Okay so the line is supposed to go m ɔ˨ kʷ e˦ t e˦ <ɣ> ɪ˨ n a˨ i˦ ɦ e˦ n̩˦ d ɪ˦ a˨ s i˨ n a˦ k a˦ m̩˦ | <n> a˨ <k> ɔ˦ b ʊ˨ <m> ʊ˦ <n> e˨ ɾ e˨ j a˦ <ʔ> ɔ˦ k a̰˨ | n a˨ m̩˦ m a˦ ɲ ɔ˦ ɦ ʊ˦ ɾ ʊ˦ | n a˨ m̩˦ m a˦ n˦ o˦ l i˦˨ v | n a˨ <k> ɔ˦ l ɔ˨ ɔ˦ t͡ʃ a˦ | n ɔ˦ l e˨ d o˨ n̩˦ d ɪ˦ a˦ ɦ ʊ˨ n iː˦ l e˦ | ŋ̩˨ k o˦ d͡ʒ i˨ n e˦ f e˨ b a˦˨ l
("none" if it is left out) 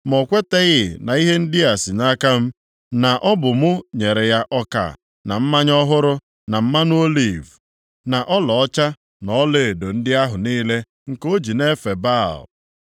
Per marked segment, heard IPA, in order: ɣ, n, ʔ, m, ɲ, ʔ, ʔ

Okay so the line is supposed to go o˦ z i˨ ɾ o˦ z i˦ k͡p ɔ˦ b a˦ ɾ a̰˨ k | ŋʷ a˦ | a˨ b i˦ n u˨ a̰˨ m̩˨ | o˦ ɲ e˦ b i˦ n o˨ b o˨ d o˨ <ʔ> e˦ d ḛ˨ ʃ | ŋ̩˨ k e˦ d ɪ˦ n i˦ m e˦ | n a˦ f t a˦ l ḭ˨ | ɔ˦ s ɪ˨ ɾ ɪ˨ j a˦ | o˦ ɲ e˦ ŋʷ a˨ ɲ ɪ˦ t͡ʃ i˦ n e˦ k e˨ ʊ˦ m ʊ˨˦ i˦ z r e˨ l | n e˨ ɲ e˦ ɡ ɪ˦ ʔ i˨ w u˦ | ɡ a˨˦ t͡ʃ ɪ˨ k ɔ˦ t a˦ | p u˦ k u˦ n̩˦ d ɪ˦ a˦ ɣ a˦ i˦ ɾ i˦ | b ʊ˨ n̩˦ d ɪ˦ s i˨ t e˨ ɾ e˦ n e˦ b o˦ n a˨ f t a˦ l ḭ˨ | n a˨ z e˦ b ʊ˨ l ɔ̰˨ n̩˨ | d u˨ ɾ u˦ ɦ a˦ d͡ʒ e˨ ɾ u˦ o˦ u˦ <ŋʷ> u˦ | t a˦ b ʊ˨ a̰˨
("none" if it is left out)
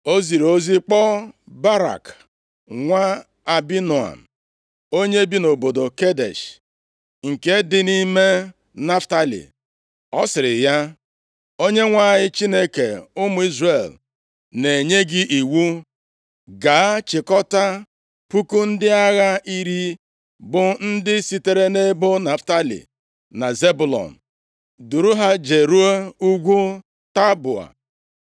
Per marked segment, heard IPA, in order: k, ɡʷ

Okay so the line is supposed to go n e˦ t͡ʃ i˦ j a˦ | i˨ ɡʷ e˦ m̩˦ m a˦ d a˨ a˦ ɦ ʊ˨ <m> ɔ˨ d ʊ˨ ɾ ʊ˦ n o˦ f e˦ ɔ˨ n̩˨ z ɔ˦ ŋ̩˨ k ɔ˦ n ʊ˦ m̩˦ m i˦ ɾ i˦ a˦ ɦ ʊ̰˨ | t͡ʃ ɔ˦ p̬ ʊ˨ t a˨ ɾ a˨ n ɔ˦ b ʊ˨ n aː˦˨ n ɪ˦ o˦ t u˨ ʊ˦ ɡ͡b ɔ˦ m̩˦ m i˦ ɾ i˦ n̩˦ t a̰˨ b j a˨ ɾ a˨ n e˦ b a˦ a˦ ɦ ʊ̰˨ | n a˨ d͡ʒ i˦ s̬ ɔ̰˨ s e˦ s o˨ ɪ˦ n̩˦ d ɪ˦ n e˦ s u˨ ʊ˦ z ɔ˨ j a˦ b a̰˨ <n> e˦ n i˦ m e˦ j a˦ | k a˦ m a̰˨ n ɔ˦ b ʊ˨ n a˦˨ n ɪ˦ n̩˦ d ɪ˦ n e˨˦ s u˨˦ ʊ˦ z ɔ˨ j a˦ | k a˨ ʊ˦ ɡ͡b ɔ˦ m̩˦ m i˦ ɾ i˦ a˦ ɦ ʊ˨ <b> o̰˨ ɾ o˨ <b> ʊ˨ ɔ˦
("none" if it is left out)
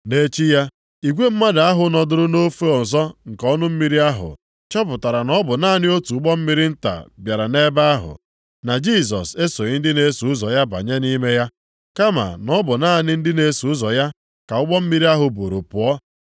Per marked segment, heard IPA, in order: n, ɲ, b, p

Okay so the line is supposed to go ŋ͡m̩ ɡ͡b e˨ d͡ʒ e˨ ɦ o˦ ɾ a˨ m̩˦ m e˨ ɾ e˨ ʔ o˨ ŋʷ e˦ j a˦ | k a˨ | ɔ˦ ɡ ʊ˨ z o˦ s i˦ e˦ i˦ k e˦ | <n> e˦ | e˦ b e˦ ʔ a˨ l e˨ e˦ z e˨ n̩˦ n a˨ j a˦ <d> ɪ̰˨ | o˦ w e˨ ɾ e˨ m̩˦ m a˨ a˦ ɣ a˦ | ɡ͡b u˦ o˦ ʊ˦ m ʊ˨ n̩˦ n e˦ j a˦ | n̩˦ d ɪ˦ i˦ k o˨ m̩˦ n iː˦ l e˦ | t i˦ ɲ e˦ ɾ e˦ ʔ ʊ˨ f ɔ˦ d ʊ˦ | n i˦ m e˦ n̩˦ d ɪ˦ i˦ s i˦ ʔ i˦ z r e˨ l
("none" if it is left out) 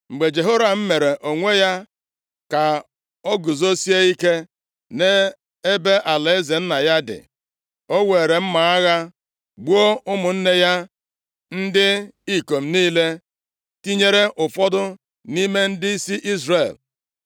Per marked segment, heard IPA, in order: n, d

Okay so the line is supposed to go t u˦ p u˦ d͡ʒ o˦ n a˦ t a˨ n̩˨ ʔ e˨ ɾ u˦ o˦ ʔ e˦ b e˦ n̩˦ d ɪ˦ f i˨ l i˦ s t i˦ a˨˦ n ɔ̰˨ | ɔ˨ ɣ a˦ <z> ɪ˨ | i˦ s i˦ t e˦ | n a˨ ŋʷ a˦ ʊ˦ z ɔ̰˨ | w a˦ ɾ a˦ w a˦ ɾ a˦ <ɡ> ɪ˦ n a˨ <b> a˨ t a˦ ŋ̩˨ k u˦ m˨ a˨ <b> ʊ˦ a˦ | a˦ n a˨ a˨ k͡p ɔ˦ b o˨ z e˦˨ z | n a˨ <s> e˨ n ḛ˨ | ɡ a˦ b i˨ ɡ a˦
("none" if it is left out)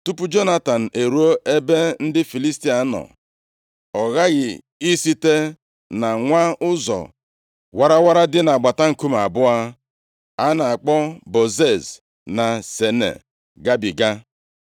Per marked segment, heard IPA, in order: ɣ, d, ɡ͡b, b, s

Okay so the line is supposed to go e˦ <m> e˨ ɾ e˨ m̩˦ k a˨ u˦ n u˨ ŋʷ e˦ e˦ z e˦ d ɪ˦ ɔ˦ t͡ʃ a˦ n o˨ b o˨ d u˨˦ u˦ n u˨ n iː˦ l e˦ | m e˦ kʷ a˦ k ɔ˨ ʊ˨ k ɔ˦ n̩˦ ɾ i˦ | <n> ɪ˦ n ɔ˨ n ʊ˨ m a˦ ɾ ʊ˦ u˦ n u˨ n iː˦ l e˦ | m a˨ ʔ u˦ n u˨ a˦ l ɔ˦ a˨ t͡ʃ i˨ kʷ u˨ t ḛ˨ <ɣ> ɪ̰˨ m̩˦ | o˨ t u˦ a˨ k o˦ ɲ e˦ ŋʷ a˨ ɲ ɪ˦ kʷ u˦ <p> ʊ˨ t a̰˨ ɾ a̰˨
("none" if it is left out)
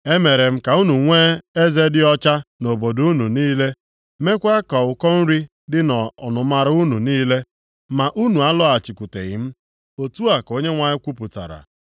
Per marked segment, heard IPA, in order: m, d, ɣ, p

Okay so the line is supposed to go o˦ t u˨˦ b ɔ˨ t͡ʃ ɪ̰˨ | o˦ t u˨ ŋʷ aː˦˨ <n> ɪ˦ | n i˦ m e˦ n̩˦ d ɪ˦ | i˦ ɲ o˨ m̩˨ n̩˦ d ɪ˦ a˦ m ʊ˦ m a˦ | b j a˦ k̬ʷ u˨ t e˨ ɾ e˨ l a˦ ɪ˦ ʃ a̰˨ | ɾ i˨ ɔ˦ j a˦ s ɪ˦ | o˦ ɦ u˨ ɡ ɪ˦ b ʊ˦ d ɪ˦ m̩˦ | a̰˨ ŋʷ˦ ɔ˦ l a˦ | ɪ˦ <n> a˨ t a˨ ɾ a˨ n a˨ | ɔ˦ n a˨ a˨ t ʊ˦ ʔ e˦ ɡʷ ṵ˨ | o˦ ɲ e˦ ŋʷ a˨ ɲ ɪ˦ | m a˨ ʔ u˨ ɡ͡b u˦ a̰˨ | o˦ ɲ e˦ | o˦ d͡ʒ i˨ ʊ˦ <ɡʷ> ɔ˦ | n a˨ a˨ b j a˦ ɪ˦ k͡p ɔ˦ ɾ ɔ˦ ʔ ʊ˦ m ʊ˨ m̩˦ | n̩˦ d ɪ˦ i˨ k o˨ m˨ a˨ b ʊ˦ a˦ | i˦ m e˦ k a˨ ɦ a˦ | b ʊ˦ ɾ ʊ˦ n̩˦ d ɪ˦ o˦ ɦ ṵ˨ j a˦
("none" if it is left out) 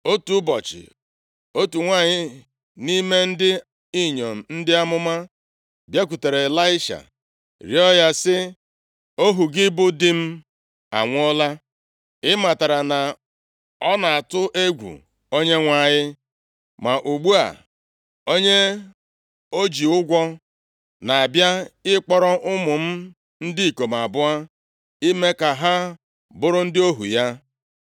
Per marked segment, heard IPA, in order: ɲ, m, ɡʷ

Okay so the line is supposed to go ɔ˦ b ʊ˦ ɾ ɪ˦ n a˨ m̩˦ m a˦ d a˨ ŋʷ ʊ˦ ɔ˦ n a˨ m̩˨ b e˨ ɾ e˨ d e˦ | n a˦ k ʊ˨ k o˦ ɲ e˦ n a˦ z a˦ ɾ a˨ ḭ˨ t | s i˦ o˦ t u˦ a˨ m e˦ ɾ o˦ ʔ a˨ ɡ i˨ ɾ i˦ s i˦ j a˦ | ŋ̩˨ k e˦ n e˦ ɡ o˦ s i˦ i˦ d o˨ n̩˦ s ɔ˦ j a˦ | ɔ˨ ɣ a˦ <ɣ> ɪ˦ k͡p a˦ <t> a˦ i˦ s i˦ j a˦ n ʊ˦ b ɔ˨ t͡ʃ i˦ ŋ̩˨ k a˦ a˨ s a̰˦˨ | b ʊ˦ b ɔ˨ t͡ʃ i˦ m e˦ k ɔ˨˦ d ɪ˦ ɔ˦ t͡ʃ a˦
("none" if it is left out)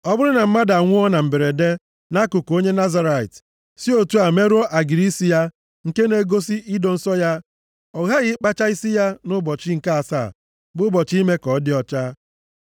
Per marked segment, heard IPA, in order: ɣ, t͡ʃ

